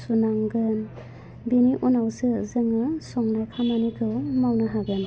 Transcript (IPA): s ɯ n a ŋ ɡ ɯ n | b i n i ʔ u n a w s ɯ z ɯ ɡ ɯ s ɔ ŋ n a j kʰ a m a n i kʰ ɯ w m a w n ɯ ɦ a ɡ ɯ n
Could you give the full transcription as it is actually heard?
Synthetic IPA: s u n a ŋ ɡ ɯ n | b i n i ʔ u n a w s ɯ z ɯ ŋ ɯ s ɔ ŋ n a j kʰ a m a n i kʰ ɯ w m a w n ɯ ɦ a ɡ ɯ n